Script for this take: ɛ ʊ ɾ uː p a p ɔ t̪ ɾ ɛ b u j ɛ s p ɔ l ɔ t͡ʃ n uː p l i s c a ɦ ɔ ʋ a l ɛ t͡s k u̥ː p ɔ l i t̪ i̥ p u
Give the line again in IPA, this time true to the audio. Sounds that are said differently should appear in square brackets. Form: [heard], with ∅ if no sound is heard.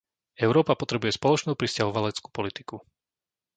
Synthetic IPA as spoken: ɛ ʊ ɾ [ɔː] p a p ɔ t̪ ɾ ɛ b u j ɛ s p ɔ l ɔ t͡ʃ n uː p [ɾ] i s c a ɦ ɔ ʋ a l ɛ t͡s k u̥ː p ɔ l i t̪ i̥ [k] u